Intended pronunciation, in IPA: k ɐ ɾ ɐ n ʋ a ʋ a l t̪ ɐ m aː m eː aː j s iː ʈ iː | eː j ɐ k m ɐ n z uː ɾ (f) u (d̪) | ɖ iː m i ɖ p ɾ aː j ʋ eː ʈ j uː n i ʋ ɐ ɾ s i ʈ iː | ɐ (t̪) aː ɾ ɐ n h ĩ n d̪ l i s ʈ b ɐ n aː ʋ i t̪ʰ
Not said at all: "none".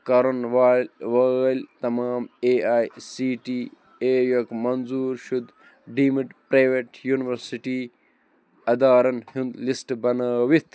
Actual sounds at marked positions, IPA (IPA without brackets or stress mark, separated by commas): ʃ, d̪, d̪